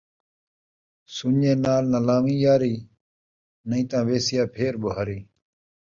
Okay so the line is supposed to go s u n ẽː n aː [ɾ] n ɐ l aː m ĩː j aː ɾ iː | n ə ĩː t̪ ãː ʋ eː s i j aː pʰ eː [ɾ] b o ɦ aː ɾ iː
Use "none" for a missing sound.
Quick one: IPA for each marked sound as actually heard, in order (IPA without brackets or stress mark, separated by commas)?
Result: l, ɾ